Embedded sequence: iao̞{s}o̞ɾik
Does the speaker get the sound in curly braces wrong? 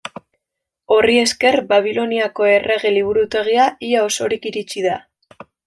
no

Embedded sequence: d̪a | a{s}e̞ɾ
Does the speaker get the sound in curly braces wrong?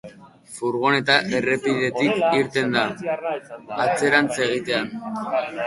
yes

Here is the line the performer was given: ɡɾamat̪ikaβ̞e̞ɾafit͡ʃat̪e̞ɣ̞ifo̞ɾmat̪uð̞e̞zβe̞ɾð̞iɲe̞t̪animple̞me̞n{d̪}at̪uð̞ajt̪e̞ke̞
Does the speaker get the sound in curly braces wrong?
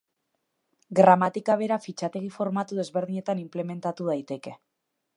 yes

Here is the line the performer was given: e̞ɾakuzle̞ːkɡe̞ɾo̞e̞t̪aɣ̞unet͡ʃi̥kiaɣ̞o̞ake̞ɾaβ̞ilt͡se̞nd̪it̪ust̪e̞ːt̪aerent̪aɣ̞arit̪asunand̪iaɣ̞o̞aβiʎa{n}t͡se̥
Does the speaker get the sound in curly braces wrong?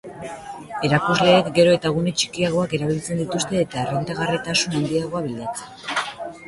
yes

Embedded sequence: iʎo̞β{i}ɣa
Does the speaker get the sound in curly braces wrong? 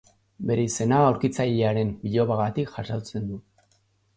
yes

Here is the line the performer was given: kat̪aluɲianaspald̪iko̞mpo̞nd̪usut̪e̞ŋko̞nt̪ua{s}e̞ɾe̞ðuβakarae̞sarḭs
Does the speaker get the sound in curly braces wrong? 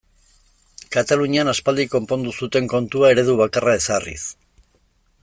yes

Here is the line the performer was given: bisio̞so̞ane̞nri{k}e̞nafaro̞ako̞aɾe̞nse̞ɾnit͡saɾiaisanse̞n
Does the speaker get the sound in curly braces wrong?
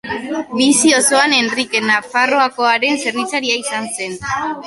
no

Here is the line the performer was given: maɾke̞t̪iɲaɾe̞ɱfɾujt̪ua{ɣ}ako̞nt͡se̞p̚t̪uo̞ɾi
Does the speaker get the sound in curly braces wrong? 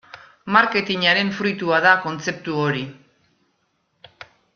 yes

